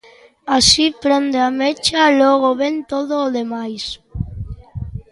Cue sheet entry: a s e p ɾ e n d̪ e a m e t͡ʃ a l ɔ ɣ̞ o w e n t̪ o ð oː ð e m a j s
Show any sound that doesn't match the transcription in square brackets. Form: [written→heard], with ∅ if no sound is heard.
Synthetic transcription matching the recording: a s [e→i] p ɾ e n d̪ e a m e t͡ʃ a l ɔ ɣ̞ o [w→β] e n t̪ o ð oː ð e m a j s